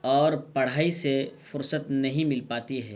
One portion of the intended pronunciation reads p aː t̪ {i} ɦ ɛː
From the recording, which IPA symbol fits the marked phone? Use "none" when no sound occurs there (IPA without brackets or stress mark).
i